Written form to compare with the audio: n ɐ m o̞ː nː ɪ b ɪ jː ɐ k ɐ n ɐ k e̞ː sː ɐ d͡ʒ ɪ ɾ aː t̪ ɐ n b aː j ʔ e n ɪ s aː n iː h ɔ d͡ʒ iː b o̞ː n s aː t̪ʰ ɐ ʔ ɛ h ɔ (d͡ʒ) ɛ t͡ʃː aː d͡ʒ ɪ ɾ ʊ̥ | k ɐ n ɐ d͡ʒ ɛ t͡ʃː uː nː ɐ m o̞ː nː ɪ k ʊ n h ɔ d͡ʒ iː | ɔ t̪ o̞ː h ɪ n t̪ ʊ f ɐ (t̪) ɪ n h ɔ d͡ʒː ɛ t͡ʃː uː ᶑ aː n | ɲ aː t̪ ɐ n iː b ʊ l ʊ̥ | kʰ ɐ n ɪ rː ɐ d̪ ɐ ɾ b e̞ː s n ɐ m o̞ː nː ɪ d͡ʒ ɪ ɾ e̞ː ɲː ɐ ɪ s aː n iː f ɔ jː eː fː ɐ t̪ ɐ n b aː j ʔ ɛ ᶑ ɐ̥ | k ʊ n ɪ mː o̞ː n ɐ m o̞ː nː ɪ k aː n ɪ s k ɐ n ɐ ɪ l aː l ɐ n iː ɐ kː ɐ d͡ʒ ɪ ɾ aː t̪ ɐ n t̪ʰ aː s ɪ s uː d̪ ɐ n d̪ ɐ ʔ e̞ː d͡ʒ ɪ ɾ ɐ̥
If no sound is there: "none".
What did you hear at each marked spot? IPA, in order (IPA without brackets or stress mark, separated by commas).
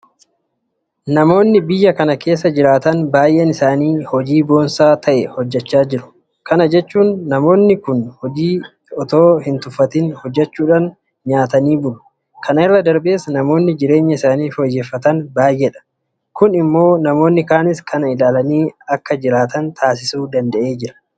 d͡ʒː, t̪